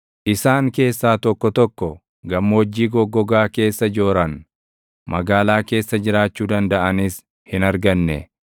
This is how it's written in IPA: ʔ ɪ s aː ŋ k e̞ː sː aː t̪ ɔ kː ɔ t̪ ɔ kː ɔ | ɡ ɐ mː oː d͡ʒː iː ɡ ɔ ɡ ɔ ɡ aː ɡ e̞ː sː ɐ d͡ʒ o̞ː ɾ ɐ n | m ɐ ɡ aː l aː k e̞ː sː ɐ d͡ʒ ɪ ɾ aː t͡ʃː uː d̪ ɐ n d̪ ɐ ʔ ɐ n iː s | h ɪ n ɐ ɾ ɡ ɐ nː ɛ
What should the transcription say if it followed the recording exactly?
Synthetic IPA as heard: ʔ ɪ s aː ŋ k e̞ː sː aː t̪ ɔ kː ɔ t̪ ɔ kː ɔ | ɡ ɐ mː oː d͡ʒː iː ɡ ɔ ɡ ɔ ɡ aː k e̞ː sː ɐ d͡ʒ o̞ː ɾ ɐ n | m ɐ ɡ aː l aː k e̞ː sː ɐ d͡ʒ ɪ ɾ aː t͡ʃː uː d̪ ɐ n d̪ ɐ ʔ ɐ n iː s | h ɪ n ɐ ɾ ɡ ɐ nː ɛ